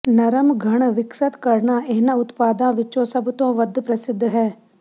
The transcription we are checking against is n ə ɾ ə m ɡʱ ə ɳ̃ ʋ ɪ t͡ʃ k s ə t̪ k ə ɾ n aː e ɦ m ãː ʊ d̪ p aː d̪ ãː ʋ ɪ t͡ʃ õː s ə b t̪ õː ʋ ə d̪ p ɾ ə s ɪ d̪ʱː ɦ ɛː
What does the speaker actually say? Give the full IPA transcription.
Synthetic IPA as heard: n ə ɾ ə m ɡʱ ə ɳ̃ ʋ ɪ k s ə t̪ k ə ɾ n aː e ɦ n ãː ʊ t̪ p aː d̪ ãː ʋ ɪ t͡ʃ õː s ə b t̪ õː ʋ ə d̪ p ɾ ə s ɪ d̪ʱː ɦ ɛː